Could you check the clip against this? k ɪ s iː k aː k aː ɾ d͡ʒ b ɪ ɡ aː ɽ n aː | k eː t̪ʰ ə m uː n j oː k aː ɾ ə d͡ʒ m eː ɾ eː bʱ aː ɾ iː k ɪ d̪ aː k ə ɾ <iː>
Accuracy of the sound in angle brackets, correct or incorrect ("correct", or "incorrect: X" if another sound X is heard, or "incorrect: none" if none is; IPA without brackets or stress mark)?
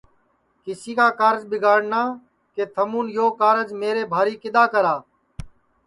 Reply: incorrect: aː